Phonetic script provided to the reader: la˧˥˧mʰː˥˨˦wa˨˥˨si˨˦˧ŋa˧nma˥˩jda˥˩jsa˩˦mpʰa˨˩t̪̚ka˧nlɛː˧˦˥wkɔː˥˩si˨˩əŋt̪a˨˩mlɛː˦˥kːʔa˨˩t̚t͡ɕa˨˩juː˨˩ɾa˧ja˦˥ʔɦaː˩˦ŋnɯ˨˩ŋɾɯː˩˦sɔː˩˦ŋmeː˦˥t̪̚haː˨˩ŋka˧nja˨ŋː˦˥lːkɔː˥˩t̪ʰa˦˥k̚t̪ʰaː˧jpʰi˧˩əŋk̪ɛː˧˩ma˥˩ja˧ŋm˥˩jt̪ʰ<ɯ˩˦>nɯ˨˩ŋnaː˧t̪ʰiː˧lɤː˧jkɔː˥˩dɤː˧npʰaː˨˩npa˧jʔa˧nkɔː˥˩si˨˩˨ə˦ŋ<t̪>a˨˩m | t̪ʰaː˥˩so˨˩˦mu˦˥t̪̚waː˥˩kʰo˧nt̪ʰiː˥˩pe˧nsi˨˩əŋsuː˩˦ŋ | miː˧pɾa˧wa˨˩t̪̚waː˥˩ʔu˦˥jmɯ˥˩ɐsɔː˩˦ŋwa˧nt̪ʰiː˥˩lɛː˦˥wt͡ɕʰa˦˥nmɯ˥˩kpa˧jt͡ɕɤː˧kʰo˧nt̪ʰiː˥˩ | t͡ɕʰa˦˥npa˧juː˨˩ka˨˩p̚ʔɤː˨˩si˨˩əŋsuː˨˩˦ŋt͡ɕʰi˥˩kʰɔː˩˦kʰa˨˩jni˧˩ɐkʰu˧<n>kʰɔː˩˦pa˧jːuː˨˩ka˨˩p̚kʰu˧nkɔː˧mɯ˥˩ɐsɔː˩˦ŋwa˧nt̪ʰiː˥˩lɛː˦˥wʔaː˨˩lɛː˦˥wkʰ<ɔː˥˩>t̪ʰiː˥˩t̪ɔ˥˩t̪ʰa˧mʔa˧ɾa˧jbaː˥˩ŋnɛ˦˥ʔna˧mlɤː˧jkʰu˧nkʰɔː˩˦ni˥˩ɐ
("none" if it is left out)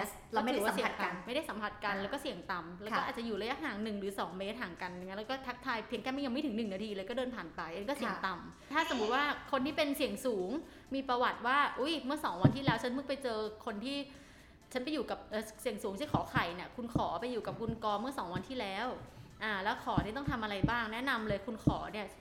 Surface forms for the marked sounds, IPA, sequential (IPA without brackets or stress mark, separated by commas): ɯ˩˦, t̪, n, ɔː˩˦